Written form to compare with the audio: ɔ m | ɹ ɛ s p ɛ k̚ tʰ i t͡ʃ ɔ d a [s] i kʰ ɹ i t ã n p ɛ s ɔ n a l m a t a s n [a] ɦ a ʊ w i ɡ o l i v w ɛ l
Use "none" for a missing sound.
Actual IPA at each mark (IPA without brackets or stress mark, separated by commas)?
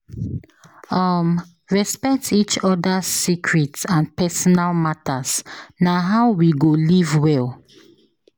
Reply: s, a